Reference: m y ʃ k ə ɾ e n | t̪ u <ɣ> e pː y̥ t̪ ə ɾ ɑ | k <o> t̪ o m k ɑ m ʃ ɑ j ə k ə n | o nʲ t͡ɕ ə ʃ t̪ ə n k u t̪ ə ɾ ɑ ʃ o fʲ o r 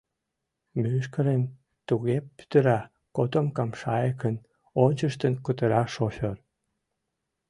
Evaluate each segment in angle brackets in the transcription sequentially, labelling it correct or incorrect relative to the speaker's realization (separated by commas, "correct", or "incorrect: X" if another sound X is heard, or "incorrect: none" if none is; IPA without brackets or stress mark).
correct, correct